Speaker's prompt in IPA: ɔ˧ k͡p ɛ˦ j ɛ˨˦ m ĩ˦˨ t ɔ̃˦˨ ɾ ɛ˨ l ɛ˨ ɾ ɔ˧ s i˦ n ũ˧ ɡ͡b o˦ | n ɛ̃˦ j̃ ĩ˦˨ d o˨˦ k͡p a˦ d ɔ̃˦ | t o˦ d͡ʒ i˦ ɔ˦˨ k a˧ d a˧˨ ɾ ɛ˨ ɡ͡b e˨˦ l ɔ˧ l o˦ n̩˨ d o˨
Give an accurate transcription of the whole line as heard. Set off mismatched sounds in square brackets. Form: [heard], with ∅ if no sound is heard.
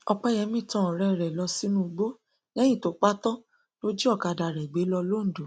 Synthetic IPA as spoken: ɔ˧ k͡p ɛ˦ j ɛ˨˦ m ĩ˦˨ t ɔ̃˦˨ ɾ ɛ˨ [ɾ] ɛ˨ [l] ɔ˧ s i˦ n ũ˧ ɡ͡b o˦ | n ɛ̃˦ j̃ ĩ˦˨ [t] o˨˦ k͡p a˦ [t] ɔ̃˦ | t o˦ d͡ʒ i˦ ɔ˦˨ k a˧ d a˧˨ ɾ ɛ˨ ɡ͡b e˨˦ l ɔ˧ l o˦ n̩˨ d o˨